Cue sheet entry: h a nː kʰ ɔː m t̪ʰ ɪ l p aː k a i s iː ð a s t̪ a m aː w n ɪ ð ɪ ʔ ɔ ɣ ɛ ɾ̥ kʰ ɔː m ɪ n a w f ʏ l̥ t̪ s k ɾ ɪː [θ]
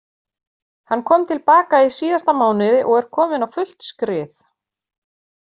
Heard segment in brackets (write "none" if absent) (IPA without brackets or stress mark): θ